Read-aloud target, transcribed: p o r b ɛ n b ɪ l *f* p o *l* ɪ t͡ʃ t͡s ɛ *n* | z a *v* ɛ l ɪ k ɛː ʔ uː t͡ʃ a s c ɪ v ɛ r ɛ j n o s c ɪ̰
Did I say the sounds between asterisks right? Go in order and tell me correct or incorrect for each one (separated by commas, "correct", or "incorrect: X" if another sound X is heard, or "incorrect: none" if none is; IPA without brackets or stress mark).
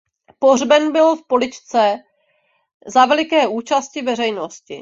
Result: correct, correct, incorrect: none, correct